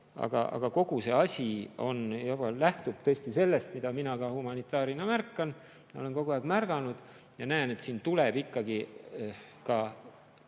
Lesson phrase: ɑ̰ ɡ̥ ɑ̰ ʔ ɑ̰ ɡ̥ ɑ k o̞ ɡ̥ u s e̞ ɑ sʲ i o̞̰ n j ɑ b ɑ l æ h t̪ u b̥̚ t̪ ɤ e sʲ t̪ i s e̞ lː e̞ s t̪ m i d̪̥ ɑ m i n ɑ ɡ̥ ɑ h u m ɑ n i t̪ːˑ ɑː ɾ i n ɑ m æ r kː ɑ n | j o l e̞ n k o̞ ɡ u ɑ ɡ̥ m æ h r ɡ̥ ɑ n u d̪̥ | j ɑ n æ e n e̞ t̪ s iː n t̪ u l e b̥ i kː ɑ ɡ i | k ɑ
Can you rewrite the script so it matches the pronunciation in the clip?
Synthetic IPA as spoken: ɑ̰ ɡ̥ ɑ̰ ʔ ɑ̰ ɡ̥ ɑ k o̞ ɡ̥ u s e̞ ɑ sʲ i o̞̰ n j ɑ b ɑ l æ h t̪ u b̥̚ t̪ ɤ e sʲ t̪ i s e̞ lː e̞ s t̪ m i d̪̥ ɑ m i n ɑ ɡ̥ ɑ h u m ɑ n i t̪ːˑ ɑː ɾ i n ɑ m æ r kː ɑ n | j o l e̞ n k o̞ ɡ u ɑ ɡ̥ m æ r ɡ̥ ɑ n u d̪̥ | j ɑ n æ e n e̞ t̪ s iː n t̪ u l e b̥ i kː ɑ ɡ i | k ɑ